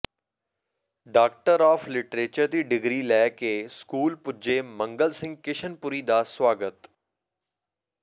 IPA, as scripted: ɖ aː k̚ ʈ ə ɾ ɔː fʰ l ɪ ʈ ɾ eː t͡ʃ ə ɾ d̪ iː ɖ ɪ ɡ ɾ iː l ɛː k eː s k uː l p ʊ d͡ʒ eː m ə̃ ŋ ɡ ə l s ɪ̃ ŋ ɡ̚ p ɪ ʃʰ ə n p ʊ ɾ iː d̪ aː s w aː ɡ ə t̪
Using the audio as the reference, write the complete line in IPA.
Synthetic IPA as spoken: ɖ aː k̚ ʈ ə ɾ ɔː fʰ l ɪ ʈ ɾ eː t͡ʃ ə ɾ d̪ iː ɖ ɪ ɡ ɾ iː l ɛː k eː s k uː l p ʊ d͡ʒ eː m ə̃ ŋ ɡ ə l s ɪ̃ ŋ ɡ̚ k ɪ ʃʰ ə n p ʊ ɾ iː d̪ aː s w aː ɡ ə t̪